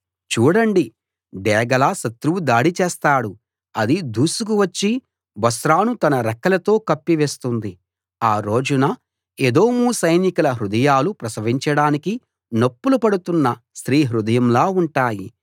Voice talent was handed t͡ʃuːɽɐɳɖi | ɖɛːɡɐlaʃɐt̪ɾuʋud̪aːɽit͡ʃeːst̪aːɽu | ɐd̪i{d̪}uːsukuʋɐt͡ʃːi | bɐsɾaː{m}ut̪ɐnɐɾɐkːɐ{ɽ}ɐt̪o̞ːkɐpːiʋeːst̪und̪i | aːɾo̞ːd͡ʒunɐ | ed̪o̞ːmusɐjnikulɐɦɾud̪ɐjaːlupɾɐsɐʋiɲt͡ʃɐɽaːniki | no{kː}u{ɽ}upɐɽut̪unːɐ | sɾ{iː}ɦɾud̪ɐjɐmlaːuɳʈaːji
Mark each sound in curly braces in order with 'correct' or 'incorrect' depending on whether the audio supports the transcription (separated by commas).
correct, incorrect, incorrect, incorrect, incorrect, correct